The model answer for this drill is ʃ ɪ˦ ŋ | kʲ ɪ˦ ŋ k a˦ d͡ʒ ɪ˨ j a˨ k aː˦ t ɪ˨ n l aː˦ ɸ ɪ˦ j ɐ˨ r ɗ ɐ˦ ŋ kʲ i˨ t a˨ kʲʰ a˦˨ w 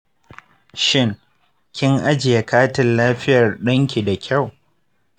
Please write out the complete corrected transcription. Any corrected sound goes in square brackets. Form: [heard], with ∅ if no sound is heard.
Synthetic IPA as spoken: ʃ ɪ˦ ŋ | kʲ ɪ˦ ŋ [ʔ] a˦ d͡ʒ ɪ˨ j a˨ k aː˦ t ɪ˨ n l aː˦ ɸ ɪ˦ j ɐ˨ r ɗ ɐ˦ ŋ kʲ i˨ [d] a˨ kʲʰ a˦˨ w